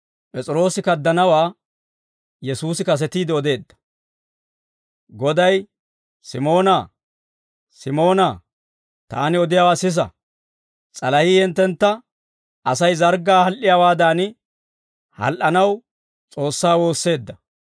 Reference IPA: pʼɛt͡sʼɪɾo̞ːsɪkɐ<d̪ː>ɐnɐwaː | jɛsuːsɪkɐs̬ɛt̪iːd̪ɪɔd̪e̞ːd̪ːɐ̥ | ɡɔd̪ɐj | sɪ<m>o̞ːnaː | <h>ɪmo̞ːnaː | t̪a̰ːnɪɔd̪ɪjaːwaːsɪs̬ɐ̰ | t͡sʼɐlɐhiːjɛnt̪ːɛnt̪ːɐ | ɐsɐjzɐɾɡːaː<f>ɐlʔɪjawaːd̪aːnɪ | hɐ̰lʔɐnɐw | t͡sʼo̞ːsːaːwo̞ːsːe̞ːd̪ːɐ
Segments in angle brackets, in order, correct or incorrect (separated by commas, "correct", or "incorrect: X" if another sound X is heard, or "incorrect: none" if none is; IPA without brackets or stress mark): correct, correct, incorrect: s, incorrect: h